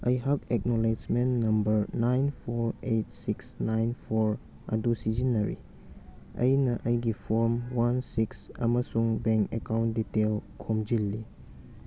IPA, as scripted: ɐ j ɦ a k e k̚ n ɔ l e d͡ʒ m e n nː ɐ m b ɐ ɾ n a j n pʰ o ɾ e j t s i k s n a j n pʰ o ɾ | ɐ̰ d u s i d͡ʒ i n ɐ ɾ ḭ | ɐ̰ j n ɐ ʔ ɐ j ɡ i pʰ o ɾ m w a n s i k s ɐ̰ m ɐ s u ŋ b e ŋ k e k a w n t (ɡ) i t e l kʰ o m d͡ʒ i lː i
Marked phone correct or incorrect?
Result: incorrect